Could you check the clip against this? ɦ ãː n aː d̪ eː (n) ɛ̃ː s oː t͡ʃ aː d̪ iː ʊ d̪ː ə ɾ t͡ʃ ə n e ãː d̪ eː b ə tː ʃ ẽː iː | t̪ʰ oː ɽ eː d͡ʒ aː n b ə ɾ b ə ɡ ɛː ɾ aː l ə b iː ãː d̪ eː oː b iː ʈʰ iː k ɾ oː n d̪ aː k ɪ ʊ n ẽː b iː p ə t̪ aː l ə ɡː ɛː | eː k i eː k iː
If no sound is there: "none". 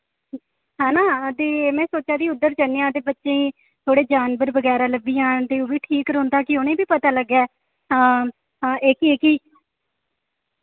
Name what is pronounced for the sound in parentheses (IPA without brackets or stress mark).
m